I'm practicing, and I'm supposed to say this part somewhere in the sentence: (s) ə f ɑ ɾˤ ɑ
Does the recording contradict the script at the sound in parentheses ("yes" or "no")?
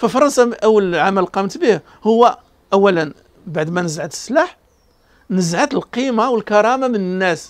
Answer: yes